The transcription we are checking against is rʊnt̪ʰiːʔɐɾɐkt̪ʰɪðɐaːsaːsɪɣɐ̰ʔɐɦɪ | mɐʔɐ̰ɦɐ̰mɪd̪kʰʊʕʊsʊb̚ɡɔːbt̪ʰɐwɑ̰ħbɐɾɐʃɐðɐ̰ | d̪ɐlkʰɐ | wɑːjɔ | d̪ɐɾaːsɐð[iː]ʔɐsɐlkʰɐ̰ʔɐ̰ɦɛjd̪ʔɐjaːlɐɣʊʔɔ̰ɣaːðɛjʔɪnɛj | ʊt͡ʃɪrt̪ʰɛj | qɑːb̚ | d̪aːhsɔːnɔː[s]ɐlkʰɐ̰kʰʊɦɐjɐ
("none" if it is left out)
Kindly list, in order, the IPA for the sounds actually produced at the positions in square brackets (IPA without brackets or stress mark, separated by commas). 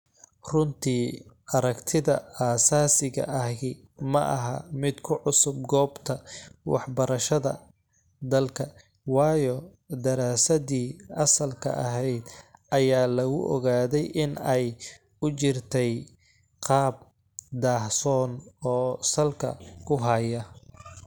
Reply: iː, s